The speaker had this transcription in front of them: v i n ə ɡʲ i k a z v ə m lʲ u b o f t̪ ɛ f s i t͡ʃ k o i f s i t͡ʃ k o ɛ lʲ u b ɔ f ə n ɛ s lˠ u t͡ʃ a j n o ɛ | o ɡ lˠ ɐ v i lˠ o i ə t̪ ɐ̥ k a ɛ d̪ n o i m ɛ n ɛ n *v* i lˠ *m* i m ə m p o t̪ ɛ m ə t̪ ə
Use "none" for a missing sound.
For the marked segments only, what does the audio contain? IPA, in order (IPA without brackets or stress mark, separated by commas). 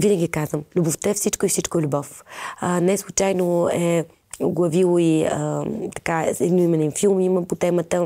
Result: f, m